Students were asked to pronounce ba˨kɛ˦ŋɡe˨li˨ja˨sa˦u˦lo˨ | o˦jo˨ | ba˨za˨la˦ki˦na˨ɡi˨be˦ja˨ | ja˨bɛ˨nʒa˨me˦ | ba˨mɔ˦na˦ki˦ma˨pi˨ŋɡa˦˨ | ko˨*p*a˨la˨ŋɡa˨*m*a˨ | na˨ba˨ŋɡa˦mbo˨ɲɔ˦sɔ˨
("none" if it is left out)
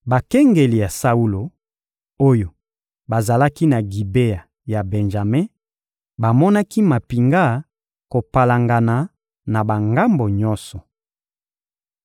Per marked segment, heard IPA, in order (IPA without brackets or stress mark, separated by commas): p, n